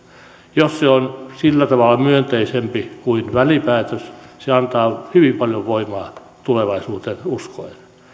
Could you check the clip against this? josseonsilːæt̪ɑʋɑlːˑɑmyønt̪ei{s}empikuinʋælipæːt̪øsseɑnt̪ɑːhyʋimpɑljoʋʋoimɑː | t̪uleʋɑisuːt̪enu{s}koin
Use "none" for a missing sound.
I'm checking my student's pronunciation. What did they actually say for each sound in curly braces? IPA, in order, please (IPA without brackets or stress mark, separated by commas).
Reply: s, s